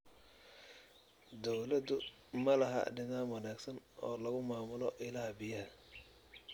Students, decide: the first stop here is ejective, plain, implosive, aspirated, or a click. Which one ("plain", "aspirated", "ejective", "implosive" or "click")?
plain